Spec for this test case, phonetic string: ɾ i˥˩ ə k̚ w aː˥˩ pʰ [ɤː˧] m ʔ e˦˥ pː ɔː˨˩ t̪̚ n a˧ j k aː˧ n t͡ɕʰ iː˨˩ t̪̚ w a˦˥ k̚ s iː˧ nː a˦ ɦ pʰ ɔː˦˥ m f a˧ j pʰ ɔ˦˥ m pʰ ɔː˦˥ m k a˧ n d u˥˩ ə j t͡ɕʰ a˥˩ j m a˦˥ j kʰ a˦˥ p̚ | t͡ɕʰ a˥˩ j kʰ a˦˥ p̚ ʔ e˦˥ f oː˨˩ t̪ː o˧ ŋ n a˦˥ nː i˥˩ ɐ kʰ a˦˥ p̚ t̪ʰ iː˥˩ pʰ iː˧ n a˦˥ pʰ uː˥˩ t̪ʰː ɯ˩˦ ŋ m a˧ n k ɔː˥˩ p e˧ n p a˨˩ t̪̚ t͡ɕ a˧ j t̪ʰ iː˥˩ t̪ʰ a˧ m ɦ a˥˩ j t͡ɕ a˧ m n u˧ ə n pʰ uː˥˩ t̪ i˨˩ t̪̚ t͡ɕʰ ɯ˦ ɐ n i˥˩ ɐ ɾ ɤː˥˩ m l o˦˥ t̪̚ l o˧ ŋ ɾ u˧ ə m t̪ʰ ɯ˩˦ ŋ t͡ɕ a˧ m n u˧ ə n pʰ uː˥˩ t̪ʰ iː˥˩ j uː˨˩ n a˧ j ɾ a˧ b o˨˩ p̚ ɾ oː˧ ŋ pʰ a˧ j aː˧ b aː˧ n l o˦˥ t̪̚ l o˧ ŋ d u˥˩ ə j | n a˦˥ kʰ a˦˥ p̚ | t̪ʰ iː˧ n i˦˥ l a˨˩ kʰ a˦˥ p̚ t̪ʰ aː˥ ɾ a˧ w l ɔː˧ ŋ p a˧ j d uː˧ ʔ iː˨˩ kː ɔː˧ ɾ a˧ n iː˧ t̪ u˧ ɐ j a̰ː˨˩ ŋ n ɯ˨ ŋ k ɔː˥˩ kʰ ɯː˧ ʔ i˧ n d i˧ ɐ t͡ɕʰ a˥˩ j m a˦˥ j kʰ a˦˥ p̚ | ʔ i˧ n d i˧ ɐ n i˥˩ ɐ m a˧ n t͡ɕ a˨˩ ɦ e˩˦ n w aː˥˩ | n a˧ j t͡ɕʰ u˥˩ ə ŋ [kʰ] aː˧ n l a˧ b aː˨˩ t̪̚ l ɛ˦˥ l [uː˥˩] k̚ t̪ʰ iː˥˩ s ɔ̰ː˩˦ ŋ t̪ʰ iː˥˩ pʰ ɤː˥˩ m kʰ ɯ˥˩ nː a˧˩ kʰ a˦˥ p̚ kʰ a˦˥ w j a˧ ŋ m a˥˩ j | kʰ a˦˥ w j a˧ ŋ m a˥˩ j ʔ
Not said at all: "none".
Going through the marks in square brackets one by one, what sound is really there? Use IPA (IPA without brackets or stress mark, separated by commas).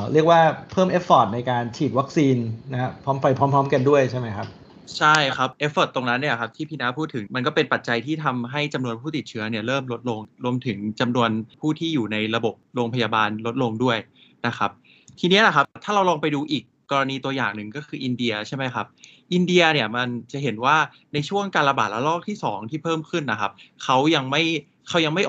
ɤː˥˩, k, ɔː˥˩